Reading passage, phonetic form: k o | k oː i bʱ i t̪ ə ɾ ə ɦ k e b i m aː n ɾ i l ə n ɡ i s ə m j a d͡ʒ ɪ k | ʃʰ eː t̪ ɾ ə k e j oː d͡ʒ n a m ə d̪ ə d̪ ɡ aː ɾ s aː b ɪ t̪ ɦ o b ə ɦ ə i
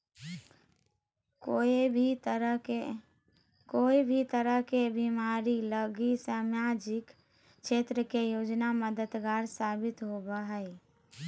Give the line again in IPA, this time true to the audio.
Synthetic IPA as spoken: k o | k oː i bʱ i t̪ ə ɾ ə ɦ k e b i m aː ɾ i l ə ɡ i s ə m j a d͡ʒ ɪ k | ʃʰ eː t̪ ɾ ə k e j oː d͡ʒ n a m ə d̪ ə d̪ ɡ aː ɾ s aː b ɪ t̪ ɦ o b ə ɦ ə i